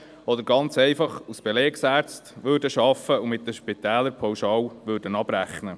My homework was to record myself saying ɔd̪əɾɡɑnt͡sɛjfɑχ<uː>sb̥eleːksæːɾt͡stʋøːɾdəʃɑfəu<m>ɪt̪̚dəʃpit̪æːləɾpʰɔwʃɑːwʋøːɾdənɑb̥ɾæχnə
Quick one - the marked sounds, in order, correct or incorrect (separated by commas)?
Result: incorrect, correct